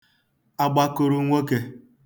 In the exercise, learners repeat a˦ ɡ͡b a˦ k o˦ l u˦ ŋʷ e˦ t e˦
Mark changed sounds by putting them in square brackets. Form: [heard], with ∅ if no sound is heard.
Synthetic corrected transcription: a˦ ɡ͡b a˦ k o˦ [ɾ] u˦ ŋʷ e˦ [k] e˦